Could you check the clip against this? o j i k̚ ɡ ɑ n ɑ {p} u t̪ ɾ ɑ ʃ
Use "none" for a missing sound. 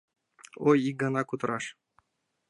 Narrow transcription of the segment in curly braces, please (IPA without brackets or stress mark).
k